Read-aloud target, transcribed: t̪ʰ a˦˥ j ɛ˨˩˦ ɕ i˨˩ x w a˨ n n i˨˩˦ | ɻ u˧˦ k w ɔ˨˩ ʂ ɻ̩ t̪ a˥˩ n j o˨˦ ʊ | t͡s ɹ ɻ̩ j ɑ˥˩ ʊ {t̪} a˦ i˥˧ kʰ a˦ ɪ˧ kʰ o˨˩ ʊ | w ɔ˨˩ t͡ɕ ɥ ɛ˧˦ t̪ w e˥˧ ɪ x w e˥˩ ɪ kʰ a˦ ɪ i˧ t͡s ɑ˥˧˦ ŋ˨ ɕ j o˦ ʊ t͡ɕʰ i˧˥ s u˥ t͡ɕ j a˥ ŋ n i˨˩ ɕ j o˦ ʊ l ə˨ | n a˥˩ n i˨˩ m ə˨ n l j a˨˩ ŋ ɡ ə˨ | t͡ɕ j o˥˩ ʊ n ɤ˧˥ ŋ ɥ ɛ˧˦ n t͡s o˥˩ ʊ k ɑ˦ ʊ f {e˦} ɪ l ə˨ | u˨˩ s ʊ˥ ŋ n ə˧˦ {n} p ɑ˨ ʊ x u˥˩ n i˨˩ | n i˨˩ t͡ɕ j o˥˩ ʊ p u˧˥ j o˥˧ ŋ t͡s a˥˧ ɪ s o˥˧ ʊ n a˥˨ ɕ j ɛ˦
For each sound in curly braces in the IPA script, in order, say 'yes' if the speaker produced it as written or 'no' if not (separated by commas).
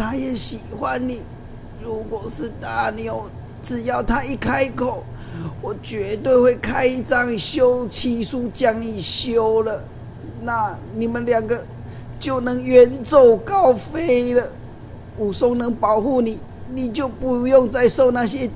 no, yes, no